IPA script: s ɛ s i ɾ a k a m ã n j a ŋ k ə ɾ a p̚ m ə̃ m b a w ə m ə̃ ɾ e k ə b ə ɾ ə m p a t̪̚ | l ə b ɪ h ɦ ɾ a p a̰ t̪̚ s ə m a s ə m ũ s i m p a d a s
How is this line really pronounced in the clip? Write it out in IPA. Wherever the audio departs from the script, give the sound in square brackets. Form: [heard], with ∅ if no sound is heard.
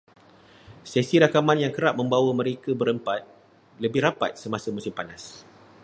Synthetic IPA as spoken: s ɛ s i ɾ a k a m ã n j a ŋ k ə ɾ a p̚ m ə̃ m b a w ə m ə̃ ɾ e k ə b ə ɾ ə m p a t̪̚ | l ə b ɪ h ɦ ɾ a p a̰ t̪̚ s ə m a s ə m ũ s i m p a [n] a s